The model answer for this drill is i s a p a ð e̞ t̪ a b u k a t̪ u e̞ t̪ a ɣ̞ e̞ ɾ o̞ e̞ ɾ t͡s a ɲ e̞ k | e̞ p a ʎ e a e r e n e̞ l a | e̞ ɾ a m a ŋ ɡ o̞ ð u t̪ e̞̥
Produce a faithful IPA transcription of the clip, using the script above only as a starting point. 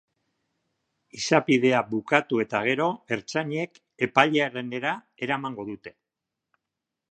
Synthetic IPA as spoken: i s a p i ð e̞ a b u k a t̪ u e̞ t̪ a ɣ̞ e̞ ɾ o̞ e̞ ɾ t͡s a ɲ e̞ k | e̞ p a ʎ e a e r e n e̞ ɾ a | e̞ ɾ a m a ŋ ɡ o̞ ð u t̪ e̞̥